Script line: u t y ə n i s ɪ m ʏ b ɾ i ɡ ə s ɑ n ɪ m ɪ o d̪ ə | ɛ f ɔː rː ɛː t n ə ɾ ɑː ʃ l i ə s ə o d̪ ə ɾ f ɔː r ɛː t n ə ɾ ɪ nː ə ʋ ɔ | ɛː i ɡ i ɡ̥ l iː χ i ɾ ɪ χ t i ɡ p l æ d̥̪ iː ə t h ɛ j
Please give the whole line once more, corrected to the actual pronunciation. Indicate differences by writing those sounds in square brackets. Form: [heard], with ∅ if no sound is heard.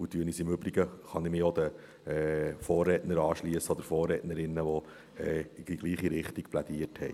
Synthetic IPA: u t y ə n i s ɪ m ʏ b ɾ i ɡ ə [χ] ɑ n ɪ m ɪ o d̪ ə | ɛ f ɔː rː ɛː t n ə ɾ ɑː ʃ l i ə s ə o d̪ ə ɾ f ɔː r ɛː t n ə ɾ ɪ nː ə ʋ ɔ | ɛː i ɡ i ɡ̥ l iː χ i ɾ ɪ χ t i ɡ p l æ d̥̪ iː ə t h ɛ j